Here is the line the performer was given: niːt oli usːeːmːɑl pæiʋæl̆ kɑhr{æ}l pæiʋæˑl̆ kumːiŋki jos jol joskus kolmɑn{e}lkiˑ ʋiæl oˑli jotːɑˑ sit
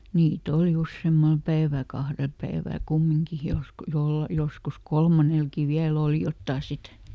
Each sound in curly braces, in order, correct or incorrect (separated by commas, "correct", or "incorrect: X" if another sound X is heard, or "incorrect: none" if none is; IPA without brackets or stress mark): incorrect: e, correct